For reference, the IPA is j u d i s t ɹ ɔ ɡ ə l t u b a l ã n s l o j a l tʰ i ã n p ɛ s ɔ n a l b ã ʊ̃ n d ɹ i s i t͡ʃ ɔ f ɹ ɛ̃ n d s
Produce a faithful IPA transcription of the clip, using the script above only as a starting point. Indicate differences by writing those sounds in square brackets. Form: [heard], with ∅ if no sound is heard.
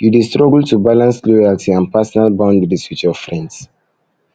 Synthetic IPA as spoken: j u d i s t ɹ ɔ ɡ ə l t u b a l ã n s l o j a l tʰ i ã n p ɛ s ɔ n a l b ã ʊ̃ n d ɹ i s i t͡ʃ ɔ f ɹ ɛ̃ n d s